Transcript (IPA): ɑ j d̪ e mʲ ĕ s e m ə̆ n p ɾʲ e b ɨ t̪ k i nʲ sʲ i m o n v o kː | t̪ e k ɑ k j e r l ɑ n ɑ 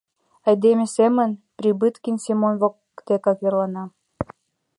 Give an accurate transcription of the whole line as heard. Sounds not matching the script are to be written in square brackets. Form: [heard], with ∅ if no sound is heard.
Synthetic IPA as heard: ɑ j d̪ e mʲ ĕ s e m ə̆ n p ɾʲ [i] b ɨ t̪ k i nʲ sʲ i m o n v o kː | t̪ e k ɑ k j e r l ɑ n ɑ